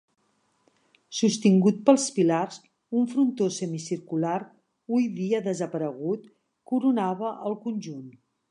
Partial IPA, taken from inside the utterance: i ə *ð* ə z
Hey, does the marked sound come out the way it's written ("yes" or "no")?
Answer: yes